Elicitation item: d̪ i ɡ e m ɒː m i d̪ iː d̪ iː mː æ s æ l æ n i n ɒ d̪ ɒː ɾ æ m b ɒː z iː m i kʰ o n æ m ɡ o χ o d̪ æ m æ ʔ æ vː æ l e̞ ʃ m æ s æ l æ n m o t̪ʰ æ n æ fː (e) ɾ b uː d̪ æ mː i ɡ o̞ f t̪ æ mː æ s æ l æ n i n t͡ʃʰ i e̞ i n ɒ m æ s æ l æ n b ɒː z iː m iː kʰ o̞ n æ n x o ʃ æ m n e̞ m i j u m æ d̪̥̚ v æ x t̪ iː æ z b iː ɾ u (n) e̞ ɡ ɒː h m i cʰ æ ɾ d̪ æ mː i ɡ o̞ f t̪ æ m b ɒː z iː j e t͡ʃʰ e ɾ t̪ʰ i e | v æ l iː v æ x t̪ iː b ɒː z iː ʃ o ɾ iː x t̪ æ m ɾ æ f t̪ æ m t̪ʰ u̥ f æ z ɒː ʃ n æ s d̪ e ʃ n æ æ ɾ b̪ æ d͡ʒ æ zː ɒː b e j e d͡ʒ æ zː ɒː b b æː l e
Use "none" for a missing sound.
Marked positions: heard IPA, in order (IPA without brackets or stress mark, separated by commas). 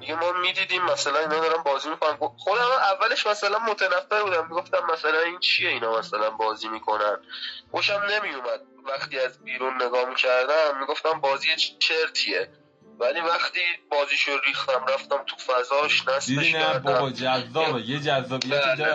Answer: e, nː